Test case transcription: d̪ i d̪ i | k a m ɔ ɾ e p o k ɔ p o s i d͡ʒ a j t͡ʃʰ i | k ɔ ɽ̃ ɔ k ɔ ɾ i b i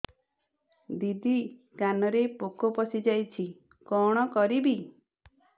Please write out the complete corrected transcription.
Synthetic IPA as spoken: d̪ i d̪ i | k a n ɔ ɾ e p o k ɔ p ɔ s i d͡ʒ a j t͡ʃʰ i | k ɔ ɽ̃ ɔ k ɔ ɾ i b i